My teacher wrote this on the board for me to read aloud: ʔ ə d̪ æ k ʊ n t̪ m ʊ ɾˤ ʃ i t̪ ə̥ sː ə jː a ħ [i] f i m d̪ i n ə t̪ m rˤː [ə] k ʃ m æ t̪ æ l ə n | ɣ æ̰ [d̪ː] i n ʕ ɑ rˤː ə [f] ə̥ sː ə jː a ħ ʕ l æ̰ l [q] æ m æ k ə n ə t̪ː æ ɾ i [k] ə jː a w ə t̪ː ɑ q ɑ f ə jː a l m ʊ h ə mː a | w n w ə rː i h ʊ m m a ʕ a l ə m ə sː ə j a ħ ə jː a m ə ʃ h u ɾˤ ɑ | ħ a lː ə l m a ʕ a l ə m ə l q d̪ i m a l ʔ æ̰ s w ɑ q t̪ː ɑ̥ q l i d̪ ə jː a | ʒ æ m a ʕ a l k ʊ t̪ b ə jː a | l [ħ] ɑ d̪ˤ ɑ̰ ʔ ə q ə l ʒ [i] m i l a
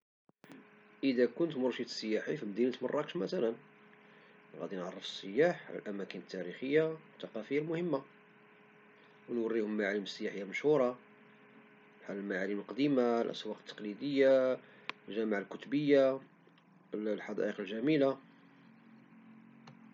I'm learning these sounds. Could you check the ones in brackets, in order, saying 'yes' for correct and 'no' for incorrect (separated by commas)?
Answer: yes, no, no, yes, no, no, yes, no